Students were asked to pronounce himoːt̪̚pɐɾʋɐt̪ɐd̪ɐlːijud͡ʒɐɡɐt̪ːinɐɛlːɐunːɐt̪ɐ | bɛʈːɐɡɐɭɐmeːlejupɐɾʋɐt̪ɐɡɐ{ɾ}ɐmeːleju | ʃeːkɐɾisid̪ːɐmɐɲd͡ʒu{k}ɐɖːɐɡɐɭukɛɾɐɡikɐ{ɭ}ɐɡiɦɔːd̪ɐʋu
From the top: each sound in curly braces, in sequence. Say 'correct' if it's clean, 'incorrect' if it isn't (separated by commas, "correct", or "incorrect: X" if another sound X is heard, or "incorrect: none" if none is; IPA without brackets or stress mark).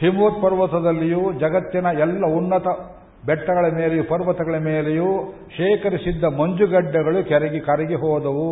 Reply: incorrect: ɭ, incorrect: ɡ, incorrect: ɾ